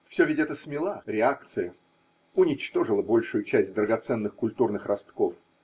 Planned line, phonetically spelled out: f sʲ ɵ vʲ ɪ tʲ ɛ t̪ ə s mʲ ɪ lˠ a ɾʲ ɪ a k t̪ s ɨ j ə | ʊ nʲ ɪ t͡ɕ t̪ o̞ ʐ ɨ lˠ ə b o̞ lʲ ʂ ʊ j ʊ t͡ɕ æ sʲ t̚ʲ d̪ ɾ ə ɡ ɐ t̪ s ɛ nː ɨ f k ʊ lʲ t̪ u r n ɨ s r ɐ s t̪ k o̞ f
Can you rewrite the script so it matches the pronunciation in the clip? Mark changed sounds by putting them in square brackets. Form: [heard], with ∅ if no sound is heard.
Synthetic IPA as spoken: f sʲ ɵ vʲ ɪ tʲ ɛ t̪ ə s mʲ ɪ lˠ a ɾʲ ɪ a k t̪ s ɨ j ə | ʊ nʲ ɪ t͡ɕ t̪ o̞ ʐ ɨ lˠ ə b o̞ lʲ ʂ ʊ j ʊ t͡ɕ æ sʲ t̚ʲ d̪ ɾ ə ɡ ɐ t̪ s ɛ nː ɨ [x] k ʊ lʲ t̪ u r n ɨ [x] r ɐ s t̪ k o̞ f

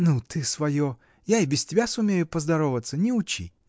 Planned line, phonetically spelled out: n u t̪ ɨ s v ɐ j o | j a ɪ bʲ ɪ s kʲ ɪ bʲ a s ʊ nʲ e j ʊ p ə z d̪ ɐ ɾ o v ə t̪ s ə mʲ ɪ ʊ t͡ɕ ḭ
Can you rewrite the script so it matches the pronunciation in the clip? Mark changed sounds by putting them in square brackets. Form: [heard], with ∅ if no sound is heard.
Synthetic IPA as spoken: n u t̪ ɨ s v ɐ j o | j a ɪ bʲ ɪ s [tʲ] ɪ bʲ a s ʊ [mʲ] e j ʊ p ə z d̪ ɐ ɾ o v ə t̪ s ə [nʲ] ɪ ʊ t͡ɕ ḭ

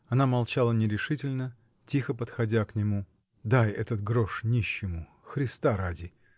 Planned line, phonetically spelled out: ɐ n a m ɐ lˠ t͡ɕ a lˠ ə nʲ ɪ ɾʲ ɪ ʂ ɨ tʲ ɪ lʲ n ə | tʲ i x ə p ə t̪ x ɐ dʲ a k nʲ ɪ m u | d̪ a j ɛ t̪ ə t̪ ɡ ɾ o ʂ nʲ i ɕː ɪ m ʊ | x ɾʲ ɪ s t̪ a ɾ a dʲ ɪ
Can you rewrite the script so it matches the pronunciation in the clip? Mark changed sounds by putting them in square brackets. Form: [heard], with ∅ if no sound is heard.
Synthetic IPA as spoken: ɐ n a m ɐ lˠ t͡ɕ a lˠ ə nʲ ɪ ɾʲ ɪ ʂ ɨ tʲ ɪ lʲ n ə | tʲ i x ə p ə t̪ x ɐ dʲ a k nʲ ɪ m u | d̪ a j ɛ t̪ ə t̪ ɡ ɾ o ʂ nʲ i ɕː ɪ m ʊ | x ɾʲ ɪ s t̪ a ɾ a dʲ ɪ

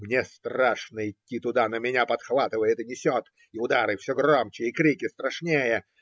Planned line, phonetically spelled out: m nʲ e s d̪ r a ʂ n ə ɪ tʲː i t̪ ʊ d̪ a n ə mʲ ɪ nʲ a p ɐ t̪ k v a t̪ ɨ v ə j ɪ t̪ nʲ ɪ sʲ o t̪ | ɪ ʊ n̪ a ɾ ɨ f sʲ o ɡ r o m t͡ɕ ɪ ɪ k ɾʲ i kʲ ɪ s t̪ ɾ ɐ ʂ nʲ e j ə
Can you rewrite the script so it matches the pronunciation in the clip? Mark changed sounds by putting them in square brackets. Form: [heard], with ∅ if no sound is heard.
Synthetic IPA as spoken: m nʲ e s [t̪] r a ʂ n ə ɪ tʲː i t̪ ʊ d̪ a n ə mʲ ɪ nʲ a p ɐ t̪ [x] v a t̪ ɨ v ə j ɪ t̪ nʲ ɪ sʲ o t̪ | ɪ ʊ [d̪] a ɾ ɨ f sʲ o ɡ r o m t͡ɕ ɪ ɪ k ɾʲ i kʲ ɪ s t̪ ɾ ɐ ʂ nʲ e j ə

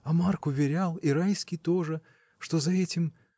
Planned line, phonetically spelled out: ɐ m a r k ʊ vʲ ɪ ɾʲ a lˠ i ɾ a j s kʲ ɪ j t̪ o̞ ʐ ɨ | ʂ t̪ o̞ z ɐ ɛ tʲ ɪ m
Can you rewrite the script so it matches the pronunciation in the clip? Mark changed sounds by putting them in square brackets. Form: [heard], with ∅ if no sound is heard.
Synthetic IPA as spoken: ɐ m a r k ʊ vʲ ɪ ɾʲ a lˠ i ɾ a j s kʲ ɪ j t̪ o̞ ʐ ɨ | ʂ t̪ o̞ z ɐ ɛ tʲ ɪ m

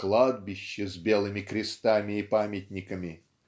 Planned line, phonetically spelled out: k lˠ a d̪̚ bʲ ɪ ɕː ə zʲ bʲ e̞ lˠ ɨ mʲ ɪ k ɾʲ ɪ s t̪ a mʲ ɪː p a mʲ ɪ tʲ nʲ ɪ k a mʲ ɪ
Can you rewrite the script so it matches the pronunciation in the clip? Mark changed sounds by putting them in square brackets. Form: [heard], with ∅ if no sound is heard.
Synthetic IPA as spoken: k lˠ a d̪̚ bʲ ɪ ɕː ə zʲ bʲ e̞ lˠ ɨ mʲ ɪ k ɾʲ ɪ s t̪ a mʲ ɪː p a mʲ ɪ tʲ nʲ ɪ k [ə] mʲ ɪ

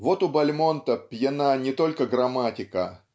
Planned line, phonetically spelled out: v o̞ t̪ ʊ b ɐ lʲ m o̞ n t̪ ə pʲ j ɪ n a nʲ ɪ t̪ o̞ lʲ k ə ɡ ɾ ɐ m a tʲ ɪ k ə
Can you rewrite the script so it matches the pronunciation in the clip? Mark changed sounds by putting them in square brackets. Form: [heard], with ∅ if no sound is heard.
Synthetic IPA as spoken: v o̞ t̪ ʊ b ɐ lʲ m o̞ n t̪ ə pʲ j ɪ n a nʲ ɪ t̪ o̞ lʲ k ə ɡ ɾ ɐ m a tʲ ɪ k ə

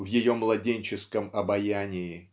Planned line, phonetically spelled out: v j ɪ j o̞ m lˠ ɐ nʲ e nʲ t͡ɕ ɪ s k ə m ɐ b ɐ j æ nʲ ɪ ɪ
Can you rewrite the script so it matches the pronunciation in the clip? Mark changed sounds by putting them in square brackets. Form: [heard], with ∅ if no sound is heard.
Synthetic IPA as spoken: v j ɪ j o̞ m lˠ ɐ [dʲ] e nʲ t͡ɕ ɪ s k ə m ɐ b ɐ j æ nʲ ɪ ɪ

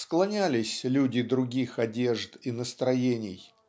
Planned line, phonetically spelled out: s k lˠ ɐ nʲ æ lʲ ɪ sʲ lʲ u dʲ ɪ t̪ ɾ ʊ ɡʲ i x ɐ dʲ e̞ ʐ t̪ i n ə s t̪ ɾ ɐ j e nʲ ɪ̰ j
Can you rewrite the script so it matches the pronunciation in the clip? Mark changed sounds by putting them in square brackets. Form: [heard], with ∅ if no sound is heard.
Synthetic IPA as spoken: s k lˠ ɐ nʲ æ lʲ ɪ sʲ lʲ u dʲ ɪ [d̪] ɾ ʊ ɡʲ i x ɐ dʲ e̞ ʐ t̪ i n ə s t̪ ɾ ɐ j e nʲ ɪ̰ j

